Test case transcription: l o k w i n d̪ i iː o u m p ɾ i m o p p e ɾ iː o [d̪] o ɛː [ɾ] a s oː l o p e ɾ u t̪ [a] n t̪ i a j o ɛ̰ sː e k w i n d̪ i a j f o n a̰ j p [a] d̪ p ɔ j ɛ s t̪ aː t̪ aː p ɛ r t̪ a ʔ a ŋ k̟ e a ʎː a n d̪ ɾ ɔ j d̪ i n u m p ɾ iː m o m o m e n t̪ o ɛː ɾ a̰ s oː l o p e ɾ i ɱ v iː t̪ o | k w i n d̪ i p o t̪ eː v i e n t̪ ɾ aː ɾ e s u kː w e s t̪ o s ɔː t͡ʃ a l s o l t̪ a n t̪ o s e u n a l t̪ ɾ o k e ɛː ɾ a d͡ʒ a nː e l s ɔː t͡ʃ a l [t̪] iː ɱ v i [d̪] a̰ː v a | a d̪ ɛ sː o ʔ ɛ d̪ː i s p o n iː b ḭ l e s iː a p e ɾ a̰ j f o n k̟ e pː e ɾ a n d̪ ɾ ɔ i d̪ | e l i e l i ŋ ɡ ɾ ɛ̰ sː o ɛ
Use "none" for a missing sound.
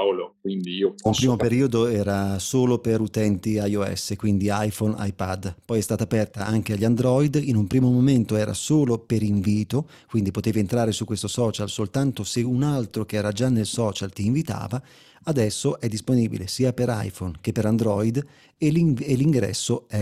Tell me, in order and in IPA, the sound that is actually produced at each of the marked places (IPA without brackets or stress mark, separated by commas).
d̪, ɾ, ɛ, a, t̪, t̪